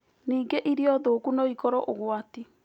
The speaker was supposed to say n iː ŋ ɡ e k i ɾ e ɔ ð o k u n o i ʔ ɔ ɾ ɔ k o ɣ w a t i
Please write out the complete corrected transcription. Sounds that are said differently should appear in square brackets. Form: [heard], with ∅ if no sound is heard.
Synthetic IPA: n iː ŋ ɡ e [ʔ] i ɾ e ɔ ð o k u n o i [k] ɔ ɾ ɔ [ʔ] o ɣ w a t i